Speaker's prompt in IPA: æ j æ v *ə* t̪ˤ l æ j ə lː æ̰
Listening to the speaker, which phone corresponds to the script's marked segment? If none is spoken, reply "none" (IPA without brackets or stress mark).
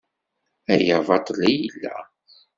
ɑ